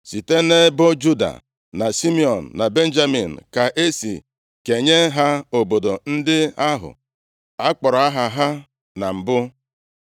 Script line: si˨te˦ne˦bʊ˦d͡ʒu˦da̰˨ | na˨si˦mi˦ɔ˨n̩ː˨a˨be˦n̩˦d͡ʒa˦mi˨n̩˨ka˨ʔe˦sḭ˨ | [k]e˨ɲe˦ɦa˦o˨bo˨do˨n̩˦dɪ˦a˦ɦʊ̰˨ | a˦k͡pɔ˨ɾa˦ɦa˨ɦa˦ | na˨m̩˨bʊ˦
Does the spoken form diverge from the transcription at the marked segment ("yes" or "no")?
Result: no